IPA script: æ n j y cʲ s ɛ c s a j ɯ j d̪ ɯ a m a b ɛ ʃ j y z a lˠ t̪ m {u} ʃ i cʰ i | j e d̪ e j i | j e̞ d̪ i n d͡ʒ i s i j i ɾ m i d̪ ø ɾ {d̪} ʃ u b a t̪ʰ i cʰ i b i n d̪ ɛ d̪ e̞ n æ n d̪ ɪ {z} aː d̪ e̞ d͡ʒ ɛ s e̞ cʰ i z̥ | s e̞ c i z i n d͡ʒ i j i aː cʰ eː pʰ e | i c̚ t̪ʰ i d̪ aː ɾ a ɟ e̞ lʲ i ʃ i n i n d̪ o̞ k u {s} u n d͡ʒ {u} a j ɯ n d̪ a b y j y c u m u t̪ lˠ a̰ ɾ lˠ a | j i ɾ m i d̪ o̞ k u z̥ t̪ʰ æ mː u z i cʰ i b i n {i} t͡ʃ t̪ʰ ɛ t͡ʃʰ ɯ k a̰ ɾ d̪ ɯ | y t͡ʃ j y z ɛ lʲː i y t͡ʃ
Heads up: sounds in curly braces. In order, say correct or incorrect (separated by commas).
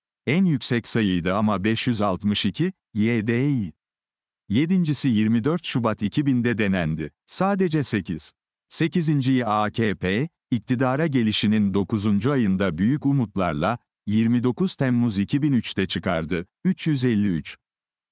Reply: incorrect, incorrect, incorrect, incorrect, correct, incorrect